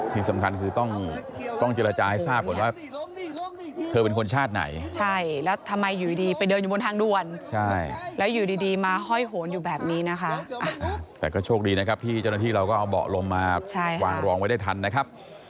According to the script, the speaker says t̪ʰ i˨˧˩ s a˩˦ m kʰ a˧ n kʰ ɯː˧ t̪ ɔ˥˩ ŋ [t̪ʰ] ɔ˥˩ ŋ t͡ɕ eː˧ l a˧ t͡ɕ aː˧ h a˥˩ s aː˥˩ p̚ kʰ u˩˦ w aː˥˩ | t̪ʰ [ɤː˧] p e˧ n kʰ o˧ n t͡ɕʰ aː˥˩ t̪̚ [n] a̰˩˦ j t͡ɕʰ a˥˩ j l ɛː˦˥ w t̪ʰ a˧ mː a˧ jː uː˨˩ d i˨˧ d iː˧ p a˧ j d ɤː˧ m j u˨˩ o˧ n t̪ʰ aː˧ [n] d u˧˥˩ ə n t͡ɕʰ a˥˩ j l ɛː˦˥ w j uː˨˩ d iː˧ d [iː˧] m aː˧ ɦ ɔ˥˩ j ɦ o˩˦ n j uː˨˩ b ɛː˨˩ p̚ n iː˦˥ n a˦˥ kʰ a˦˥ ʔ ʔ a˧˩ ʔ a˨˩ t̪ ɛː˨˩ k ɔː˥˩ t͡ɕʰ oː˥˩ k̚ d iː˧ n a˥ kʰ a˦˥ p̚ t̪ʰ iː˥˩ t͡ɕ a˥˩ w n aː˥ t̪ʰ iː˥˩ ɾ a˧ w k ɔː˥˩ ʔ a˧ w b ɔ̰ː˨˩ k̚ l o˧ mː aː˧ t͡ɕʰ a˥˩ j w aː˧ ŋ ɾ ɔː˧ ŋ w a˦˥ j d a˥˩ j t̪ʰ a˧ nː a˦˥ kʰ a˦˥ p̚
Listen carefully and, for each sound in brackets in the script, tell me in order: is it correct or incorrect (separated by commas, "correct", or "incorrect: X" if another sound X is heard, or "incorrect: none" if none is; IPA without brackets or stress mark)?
incorrect: t̪, correct, correct, incorrect: ŋ, correct